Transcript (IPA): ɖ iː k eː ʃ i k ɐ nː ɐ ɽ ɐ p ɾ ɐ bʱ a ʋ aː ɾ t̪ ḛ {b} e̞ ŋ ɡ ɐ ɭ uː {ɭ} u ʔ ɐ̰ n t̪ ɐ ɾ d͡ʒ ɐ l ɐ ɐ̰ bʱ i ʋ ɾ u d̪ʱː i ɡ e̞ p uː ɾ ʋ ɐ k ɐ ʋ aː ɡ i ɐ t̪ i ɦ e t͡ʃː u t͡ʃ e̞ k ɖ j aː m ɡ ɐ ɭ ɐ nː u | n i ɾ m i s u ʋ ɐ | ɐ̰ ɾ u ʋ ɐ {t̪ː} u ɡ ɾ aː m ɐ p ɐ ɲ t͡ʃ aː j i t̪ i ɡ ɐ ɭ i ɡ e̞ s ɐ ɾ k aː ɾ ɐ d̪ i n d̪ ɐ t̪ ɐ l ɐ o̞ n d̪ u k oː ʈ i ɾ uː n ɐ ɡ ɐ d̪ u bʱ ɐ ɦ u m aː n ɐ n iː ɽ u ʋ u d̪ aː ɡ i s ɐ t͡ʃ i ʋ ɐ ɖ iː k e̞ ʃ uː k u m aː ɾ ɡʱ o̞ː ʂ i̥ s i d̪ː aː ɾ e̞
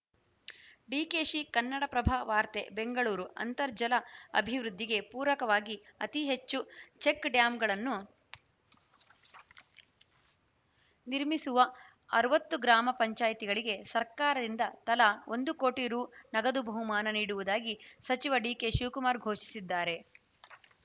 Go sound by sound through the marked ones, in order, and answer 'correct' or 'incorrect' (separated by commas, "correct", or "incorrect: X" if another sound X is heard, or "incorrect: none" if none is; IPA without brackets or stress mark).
correct, incorrect: ɾ, correct